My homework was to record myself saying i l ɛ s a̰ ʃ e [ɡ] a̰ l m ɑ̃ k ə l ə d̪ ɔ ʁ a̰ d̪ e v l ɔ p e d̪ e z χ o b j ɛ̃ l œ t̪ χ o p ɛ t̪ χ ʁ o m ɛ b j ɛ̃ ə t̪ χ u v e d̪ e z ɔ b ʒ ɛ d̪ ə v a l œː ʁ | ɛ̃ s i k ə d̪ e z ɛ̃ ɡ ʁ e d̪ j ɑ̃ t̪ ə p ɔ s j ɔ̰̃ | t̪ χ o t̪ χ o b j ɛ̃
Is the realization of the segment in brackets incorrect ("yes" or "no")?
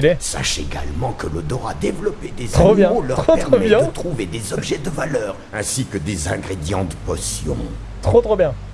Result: no